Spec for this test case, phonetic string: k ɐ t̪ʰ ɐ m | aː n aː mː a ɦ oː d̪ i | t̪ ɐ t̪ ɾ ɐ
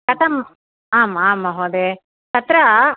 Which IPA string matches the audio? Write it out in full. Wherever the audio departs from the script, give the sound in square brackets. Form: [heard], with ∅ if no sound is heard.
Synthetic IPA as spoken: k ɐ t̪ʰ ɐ m | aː [m] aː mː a ɦ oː d̪ [e] | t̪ ɐ t̪ ɾ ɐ